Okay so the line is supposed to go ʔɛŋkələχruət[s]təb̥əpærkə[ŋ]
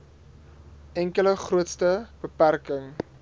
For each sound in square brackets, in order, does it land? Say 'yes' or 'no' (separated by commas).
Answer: yes, yes